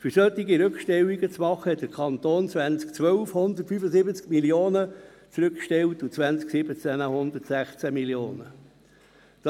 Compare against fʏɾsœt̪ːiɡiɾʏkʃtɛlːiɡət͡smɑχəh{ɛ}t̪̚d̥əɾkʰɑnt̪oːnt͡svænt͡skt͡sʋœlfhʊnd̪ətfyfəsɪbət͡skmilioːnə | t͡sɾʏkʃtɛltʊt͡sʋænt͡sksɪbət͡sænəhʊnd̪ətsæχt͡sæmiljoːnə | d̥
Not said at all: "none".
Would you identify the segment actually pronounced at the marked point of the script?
ɛ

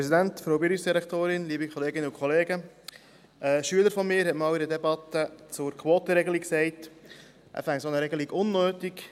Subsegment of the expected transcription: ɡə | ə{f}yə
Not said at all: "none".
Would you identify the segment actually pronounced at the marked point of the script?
ʃ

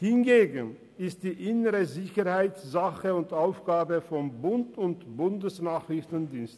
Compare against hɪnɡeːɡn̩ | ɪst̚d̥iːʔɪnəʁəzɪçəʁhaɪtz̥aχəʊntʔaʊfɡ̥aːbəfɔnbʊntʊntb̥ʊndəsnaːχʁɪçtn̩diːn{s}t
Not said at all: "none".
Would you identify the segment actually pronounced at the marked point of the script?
s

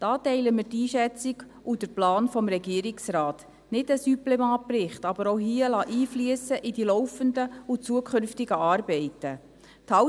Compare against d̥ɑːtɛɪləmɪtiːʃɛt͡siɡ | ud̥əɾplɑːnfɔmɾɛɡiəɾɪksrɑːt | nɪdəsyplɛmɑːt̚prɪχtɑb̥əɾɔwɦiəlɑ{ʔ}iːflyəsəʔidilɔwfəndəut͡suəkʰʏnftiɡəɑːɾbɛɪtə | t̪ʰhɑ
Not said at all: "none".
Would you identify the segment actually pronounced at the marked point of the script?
ʔ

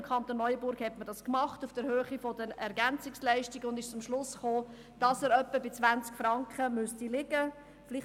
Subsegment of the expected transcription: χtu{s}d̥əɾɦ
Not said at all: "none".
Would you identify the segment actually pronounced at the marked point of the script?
f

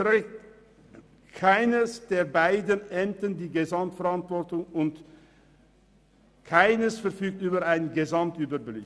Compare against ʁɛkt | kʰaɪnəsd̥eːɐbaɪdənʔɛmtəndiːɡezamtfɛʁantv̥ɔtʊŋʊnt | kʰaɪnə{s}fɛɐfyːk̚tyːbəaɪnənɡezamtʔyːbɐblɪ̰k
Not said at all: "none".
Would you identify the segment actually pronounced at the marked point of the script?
s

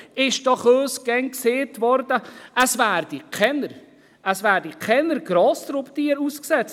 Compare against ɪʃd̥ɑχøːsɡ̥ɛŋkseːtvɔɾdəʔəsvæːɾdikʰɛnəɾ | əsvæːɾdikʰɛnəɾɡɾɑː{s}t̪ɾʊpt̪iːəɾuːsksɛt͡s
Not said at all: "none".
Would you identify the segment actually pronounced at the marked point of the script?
s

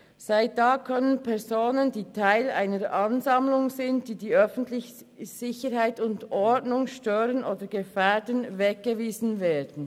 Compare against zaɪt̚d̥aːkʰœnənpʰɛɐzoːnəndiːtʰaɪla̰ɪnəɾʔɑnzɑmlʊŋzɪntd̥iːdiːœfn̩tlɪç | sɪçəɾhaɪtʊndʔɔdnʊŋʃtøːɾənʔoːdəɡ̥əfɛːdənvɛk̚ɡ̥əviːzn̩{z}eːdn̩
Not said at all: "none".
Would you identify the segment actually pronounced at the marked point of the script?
v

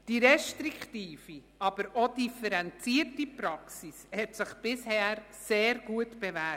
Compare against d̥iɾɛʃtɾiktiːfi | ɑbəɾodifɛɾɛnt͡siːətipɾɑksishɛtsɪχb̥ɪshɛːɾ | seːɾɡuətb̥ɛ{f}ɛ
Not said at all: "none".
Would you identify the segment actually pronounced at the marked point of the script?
v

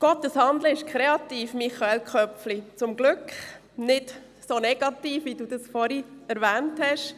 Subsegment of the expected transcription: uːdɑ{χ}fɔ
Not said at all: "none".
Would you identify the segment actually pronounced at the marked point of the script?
s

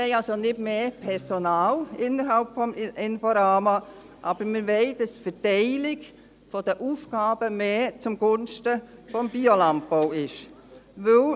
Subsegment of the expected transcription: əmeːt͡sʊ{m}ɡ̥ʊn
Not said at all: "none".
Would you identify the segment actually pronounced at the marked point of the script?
m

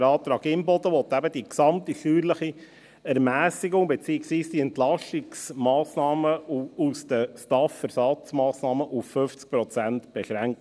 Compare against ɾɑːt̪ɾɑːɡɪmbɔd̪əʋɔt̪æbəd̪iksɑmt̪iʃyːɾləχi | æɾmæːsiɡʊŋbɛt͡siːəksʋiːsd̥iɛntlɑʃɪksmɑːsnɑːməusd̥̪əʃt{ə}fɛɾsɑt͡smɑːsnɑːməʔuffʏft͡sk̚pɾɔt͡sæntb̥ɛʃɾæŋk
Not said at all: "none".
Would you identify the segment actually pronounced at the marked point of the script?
ɑ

